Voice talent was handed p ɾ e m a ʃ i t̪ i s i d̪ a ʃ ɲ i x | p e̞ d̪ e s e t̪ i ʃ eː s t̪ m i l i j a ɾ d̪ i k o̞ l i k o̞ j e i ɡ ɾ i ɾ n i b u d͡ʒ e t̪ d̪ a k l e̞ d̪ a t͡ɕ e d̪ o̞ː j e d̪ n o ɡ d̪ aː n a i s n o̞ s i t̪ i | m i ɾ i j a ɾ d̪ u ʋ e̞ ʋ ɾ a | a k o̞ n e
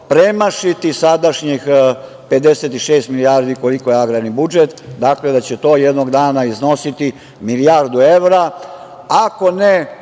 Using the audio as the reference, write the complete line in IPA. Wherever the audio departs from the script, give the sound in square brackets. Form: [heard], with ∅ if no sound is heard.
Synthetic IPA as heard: p ɾ e m a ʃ i t̪ i s [a] d̪ a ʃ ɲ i x | p e̞ d̪ e s e t̪ i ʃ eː s t̪ m i l i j a ɾ d̪ i k o̞ l i k o̞ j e [a] ɡ ɾ [a] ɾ n i b u d͡ʒ e t̪ d̪ a k l e̞ d̪ a t͡ɕ e [t̪] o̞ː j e d̪ n o ɡ d̪ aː n a i [z] n o̞ s i t̪ i | m i [l] i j a ɾ d̪ u [∅] e̞ ʋ ɾ a | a k o̞ n e